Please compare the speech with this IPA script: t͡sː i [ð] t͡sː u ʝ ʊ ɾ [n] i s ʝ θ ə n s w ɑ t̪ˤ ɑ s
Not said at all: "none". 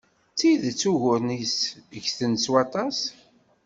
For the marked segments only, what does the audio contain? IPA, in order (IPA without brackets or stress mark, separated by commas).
ð, n